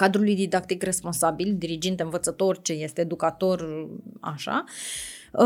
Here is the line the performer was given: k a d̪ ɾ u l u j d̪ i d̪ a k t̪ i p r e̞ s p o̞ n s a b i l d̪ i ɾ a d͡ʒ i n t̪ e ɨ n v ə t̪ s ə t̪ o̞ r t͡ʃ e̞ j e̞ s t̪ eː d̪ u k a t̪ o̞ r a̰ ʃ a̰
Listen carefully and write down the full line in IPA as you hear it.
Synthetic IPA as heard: k a d̪ ɾ u l u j d̪ i d̪ a k t̪ i k r e̞ s p o̞ n s a b i l d̪ i ɾ i d͡ʒ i n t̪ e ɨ n v ə t̪ s ə t̪ o̞ r t͡ʃ e̞ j e̞ s t̪ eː d̪ u k a t̪ o̞ r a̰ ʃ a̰